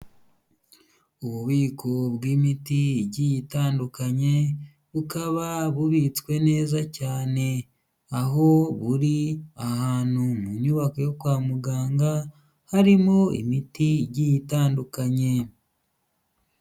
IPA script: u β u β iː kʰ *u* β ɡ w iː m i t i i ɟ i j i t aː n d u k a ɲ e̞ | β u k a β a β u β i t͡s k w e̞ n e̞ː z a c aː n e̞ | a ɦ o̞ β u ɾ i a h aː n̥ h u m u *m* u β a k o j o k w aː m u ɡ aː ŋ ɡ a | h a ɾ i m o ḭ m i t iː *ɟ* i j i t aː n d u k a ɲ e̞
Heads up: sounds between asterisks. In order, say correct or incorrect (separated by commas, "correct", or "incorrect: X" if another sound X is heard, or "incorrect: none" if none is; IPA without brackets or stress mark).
incorrect: o, incorrect: ɲ, correct